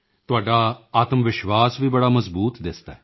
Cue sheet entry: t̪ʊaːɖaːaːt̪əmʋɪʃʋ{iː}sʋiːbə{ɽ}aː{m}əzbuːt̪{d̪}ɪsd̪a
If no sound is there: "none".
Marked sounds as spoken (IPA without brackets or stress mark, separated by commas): aː, ɽ, m, d̪